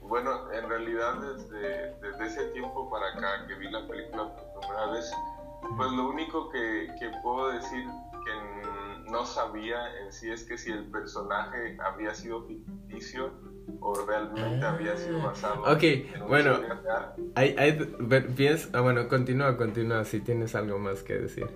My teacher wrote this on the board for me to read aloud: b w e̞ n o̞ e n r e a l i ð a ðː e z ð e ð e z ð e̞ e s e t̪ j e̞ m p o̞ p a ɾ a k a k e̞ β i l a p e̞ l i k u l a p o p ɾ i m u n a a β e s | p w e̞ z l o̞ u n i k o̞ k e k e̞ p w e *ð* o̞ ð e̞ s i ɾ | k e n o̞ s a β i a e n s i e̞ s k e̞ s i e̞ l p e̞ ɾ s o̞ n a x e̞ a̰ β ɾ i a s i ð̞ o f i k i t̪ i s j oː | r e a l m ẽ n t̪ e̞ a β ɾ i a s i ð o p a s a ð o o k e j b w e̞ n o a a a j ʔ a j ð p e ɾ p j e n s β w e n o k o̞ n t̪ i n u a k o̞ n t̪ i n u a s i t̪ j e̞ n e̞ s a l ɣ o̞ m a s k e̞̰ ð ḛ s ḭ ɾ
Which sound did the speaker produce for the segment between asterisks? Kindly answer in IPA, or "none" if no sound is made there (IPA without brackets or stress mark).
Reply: ð